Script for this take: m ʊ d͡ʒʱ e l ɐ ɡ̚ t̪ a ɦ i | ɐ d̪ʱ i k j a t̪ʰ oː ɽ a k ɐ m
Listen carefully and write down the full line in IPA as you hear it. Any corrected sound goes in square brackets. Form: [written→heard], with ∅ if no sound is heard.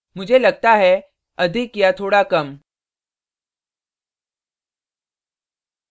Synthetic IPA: m ʊ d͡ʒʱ e l ɐ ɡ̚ t̪ a ɦ [i→ɛ] | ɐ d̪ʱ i k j a t̪ʰ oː ɽ a k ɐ m

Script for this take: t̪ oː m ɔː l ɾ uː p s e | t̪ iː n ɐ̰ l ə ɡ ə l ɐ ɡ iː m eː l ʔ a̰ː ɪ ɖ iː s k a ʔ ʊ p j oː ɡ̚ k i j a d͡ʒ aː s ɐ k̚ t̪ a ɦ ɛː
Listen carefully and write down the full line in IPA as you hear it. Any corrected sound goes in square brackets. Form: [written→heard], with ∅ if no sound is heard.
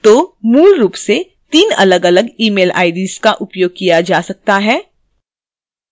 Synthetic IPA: t̪ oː m [ɔː→uː] l ɾ uː p s e | t̪ iː n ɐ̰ l ə ɡ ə l [ɐ→ə] ɡ iː m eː l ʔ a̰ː ɪ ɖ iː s k a ʔ ʊ p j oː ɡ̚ k i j a d͡ʒ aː s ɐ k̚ t̪ a ɦ ɛː

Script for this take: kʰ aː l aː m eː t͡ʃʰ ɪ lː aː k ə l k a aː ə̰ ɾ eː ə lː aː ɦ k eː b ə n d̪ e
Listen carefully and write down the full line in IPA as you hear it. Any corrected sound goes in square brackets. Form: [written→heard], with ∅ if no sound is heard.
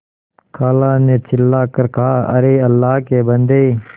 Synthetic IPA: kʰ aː l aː [m→n] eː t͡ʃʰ ɪ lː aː k ə [l→ɾ] k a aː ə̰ ɾ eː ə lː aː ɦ k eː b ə n d̪ e

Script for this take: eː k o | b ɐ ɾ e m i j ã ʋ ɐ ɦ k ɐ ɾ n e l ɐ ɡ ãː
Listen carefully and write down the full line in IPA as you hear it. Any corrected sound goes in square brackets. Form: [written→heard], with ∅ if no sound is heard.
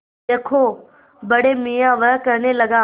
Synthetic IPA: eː [k→kʰ] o | b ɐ [ɾ→ɽ] e m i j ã ʋ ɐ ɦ k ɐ ɾ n e l ɐ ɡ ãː

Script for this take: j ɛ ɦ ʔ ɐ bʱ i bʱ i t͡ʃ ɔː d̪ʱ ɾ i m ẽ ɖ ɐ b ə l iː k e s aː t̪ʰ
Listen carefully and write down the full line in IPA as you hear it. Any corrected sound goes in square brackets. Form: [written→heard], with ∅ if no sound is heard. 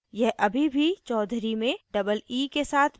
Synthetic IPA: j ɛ ɦ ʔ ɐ bʱ i bʱ i t͡ʃ ɔː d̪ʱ ɾ i m ẽ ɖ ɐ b ə l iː k e s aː t̪ʰ

